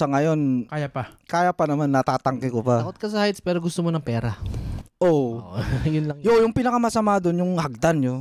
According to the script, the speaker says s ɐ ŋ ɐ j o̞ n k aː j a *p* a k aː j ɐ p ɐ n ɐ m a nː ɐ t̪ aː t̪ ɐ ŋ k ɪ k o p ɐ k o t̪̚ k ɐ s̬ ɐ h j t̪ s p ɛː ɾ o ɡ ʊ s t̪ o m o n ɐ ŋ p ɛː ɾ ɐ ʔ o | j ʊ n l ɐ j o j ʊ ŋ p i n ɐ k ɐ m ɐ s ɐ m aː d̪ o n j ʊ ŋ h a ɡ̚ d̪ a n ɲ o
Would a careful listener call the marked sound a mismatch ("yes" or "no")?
no